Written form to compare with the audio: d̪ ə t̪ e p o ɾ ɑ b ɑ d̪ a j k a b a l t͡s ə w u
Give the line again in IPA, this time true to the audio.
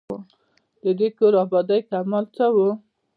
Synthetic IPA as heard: d̪ ə d̪ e k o ɾ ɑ b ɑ d̪ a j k a m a l t͡s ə w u